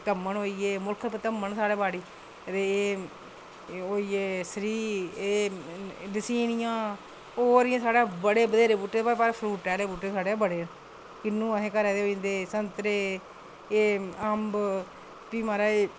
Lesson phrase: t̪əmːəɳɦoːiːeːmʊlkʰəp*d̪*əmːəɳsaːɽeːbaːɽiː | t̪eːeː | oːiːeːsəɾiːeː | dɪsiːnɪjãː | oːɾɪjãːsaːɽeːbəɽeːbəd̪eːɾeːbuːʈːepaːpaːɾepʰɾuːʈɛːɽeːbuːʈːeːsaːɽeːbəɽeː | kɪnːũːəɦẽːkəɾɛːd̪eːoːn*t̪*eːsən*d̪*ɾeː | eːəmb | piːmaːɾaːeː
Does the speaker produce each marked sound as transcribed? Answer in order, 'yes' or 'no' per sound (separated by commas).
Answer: no, no, no